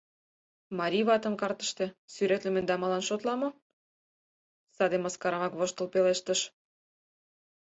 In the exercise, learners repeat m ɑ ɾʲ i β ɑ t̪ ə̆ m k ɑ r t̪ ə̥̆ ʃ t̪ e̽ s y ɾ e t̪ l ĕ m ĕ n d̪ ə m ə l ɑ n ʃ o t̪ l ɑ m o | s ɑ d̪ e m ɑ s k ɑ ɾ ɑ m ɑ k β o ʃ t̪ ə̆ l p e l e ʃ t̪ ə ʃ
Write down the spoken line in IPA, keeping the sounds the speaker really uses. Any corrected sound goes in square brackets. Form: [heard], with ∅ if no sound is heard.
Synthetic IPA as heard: m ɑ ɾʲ i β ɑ t̪ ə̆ m k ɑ r t̪ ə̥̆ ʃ t̪ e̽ s y ɾ e t̪ l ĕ m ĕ n d̪ [ɑ] m [ɑ] l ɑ n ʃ o t̪ l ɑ m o | s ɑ d̪ e m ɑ s k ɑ ɾ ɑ m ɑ k β o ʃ t̪ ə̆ l p e l e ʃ t̪ ə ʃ